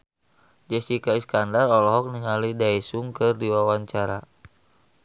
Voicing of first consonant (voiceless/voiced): voiced